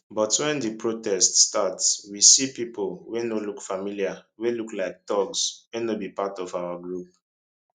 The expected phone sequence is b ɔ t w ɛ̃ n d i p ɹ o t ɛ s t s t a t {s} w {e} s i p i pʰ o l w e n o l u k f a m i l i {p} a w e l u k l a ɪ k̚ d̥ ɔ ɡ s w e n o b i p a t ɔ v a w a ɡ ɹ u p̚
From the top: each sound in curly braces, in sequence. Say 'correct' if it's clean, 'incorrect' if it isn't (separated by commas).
correct, incorrect, incorrect